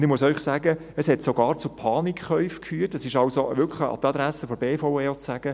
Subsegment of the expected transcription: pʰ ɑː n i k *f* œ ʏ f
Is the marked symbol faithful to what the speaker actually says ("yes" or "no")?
no